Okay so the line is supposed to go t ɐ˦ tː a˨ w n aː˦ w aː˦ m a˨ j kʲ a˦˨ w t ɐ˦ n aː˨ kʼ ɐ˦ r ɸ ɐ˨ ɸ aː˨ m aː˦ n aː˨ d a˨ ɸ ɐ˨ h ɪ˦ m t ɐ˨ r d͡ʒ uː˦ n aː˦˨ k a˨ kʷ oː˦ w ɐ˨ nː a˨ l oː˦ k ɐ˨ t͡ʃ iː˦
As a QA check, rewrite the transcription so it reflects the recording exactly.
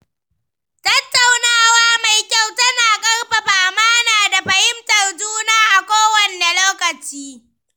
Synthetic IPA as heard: t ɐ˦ tː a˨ w n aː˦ w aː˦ m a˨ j kʲ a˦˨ w t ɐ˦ n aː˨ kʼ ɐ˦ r ɸ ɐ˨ ɸ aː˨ m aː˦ n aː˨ d a˨ ɸ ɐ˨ h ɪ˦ m t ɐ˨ r d͡ʒ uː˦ n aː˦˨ ʔ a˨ kʷ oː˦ w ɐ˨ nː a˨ l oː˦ k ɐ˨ t͡ʃ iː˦